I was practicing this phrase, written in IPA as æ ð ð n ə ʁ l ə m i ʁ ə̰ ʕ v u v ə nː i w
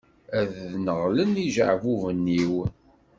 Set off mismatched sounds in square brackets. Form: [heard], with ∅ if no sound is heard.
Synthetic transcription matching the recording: æ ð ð n ə ʁ l ə [n] i [ʒ] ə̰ ʕ v u v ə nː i w